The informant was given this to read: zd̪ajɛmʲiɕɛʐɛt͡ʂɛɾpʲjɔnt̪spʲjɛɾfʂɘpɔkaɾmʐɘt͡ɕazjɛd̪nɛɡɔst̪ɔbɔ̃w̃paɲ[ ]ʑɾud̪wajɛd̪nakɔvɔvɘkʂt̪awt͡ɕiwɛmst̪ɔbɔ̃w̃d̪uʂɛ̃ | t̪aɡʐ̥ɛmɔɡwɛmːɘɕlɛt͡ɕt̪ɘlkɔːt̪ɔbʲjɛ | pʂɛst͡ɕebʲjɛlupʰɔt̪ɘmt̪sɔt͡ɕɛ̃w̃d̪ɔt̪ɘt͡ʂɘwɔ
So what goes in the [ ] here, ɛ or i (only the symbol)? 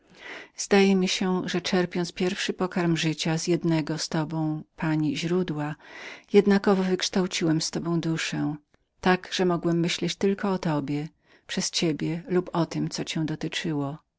i